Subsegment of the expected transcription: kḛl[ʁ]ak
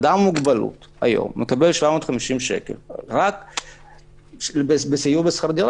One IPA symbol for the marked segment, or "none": ʁ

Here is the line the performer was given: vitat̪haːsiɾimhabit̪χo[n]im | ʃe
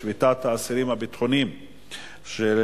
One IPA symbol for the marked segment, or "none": n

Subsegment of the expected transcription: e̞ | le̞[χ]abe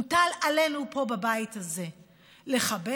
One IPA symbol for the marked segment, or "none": χ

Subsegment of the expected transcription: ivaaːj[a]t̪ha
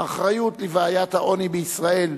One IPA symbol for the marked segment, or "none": a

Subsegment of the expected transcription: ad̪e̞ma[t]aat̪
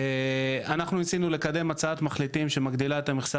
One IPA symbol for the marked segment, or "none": t͡s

